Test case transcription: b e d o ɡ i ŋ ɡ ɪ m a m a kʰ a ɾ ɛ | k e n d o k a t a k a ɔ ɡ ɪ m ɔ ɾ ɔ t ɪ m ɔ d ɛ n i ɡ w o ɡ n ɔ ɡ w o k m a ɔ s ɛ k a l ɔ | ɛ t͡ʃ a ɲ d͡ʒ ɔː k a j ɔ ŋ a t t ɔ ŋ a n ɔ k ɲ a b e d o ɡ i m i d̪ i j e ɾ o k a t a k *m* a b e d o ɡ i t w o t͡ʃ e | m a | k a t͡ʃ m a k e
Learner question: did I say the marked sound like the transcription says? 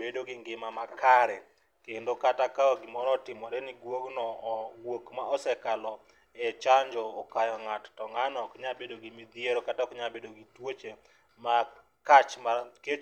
no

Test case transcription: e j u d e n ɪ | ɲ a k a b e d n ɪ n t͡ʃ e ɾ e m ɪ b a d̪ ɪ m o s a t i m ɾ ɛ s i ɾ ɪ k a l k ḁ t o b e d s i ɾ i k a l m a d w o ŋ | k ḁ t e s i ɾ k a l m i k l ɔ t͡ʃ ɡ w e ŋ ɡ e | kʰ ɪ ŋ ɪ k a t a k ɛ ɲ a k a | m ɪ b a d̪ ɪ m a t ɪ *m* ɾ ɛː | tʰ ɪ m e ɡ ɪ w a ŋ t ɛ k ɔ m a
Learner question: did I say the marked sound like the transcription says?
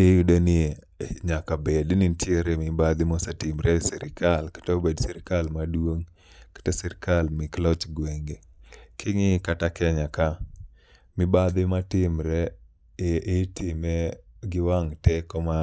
yes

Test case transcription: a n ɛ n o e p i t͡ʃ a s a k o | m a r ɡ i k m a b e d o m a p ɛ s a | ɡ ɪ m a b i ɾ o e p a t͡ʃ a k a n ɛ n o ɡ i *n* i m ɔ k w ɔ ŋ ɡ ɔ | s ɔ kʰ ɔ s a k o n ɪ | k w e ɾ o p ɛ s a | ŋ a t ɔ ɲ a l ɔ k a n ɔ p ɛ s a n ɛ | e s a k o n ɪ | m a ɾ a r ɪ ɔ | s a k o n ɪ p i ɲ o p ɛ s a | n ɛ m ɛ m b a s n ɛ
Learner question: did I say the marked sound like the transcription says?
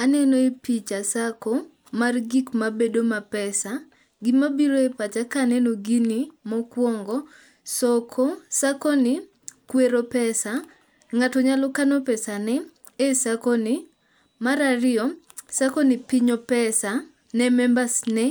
yes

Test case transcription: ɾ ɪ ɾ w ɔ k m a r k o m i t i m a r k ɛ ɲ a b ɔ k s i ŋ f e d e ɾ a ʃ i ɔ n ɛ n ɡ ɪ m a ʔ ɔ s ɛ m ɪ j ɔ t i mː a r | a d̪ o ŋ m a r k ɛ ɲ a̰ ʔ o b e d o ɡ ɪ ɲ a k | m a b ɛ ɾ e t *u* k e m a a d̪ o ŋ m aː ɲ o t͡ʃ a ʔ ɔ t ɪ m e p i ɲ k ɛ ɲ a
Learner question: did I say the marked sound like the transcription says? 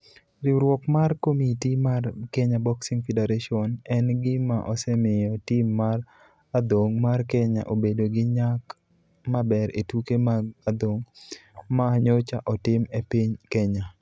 yes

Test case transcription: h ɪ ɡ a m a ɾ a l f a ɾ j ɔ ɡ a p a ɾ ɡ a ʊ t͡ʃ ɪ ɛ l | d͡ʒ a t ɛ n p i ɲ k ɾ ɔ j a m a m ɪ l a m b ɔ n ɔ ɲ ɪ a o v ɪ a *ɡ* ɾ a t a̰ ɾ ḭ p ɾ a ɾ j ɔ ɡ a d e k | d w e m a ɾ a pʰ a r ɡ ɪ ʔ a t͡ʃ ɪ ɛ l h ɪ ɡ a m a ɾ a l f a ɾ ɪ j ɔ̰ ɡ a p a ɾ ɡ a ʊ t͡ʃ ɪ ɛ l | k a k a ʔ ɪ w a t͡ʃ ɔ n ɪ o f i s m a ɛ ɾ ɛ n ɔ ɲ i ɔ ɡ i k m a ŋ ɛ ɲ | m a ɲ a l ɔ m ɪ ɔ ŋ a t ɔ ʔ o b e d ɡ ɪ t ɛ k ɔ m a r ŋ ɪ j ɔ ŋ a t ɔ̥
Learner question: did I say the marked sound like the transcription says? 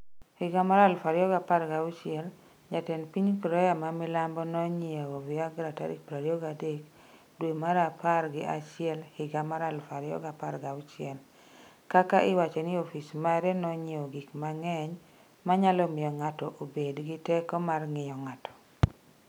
yes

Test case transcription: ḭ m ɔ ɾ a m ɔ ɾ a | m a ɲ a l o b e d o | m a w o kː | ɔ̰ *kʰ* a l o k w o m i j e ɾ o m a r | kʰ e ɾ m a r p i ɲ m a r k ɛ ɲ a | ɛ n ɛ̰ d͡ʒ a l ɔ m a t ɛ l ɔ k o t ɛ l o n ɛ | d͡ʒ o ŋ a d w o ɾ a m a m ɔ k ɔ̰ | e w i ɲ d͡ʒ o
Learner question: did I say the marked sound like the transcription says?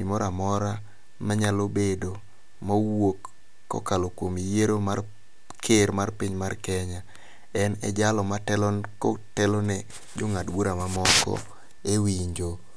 no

